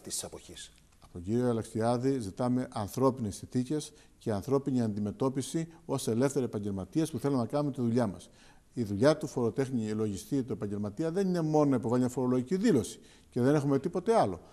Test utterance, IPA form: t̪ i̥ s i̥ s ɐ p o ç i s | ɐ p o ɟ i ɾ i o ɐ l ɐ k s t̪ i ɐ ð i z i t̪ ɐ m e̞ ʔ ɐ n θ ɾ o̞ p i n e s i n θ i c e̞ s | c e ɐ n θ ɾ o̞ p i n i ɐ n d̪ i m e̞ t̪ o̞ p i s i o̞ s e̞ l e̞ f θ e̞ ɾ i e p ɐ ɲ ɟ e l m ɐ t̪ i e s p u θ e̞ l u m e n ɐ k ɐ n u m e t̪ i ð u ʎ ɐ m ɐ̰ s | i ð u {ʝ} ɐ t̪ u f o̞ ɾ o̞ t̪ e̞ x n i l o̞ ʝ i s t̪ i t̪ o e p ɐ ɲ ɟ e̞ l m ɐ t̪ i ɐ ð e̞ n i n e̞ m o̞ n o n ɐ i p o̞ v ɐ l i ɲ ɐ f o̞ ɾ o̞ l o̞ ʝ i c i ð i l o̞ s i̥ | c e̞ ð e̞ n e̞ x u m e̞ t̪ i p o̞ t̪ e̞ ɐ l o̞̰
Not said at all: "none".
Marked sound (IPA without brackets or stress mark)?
ʎ